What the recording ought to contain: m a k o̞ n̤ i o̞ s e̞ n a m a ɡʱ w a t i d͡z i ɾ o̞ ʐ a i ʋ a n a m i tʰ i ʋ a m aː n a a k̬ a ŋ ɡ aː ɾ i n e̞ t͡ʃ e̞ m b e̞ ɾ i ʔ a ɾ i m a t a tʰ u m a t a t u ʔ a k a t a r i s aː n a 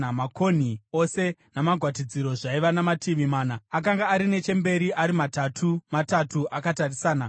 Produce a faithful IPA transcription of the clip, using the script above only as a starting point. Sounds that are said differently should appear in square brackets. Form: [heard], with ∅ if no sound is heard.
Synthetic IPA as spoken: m a k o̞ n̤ i o̞ s e̞ n a m a ɡʱ w a t i d͡z i ɾ o̞ ʐ a i ʋ a n a m [a] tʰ i ʋ [i] m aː n a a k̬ a ŋ ɡ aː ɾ i n e̞ t͡ʃ e̞ m b e̞ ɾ i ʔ a ɾ i m a t a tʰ u m a t a t u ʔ a k a t a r i s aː n a